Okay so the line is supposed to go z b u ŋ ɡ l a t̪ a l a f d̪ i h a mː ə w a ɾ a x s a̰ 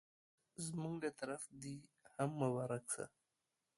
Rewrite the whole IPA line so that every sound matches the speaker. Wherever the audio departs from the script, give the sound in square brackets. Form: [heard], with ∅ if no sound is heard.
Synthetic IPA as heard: z [m] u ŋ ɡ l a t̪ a [ɾ] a f d̪ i h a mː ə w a ɾ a [k] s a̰